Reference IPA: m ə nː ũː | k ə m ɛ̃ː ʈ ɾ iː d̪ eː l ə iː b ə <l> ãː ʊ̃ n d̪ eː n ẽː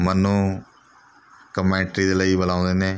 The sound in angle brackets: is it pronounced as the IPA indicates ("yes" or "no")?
yes